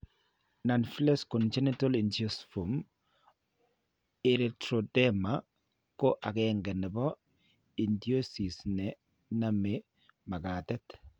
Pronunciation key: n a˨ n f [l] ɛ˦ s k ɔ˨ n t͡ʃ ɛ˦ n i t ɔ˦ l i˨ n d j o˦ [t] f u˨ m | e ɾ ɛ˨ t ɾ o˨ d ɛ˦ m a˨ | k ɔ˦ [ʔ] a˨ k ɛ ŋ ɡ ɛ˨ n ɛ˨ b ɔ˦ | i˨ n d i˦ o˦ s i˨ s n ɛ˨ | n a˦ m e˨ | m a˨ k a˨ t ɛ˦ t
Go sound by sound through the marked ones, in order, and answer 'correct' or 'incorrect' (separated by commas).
correct, incorrect, correct